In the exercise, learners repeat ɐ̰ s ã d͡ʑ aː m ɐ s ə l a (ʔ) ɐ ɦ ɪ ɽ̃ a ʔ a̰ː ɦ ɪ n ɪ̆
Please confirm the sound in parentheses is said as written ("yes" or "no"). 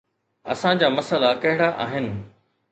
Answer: no